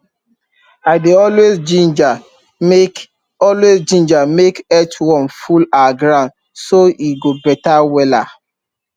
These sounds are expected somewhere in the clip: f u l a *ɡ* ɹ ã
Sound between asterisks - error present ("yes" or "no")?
no